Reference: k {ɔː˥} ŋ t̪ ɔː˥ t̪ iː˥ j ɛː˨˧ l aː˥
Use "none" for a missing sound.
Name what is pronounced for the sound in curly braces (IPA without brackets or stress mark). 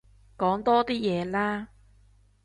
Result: ɔː˨˥